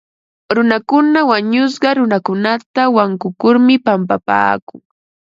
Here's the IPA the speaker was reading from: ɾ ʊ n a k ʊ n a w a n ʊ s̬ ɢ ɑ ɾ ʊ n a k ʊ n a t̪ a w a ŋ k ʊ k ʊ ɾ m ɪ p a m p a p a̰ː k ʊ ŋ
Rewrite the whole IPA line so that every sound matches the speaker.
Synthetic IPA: ɾ ʊ n a k ʊ n a w a ɲ ʊ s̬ ɢ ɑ ɾ ʊ n a k ʊ n a t̪ a w a ŋ k ʊ k ʊ ɾ m ɪ p a m p a p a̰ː k ʊ ŋ